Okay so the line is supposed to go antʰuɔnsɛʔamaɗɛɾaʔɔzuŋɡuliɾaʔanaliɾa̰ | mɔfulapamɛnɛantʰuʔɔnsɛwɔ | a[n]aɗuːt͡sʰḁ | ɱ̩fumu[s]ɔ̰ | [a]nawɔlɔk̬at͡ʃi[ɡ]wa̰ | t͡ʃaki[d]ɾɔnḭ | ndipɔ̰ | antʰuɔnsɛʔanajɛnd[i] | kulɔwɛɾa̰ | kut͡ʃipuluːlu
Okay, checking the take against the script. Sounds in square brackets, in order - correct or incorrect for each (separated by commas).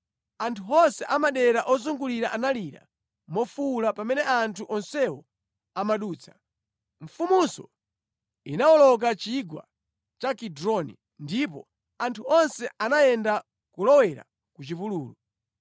incorrect, correct, incorrect, correct, correct, incorrect